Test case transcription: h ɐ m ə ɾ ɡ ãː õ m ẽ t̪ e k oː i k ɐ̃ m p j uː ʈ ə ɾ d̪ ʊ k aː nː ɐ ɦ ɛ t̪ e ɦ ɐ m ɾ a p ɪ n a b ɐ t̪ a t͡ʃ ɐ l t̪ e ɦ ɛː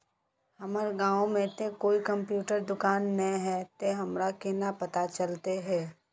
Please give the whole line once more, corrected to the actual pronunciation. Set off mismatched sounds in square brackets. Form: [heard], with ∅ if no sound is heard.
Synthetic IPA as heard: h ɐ m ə ɾ ɡ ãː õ m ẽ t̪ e k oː i k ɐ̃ m p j uː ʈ ə ɾ d̪ ʊ k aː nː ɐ ɦ ɛ t̪ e ɦ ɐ m ɾ a [k] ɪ n a [p] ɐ t̪ a t͡ʃ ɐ l t̪ e ɦ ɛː